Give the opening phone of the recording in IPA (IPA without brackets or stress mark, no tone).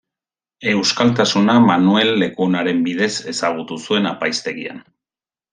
e̞